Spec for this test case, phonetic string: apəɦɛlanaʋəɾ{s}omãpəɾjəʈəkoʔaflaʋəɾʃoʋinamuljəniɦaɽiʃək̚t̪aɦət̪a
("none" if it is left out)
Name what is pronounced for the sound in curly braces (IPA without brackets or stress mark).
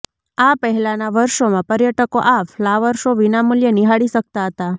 ʃ